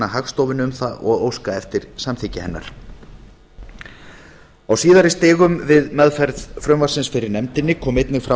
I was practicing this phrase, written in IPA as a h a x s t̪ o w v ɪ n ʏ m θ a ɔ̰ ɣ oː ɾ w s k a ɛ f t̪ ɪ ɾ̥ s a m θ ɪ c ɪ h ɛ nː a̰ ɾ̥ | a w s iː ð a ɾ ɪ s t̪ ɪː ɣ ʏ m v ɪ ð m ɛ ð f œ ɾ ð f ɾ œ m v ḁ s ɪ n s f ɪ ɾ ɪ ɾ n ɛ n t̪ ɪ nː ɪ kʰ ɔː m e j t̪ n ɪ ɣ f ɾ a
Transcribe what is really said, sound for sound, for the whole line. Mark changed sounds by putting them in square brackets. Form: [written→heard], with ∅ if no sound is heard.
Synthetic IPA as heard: a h a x s t̪ o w v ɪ n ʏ m θ a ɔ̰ ɣ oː [ɾ→∅] w s k a ɛ f t̪ ɪ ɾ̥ s a m θ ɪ c ɪ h ɛ nː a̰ ɾ̥ | a w s iː ð a ɾ ɪ s t̪ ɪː ɣ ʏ m v ɪ ð m ɛ ð f [œ→ɛ] ɾ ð f ɾ œ m v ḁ s ɪ n s f ɪ ɾ ɪ ɾ n ɛ [n→m] t̪ ɪ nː ɪ kʰ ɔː m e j t̪ n ɪ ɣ f ɾ a